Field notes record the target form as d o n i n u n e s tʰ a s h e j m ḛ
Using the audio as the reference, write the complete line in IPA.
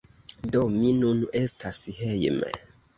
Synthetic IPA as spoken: d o m i n u n e s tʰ a s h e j m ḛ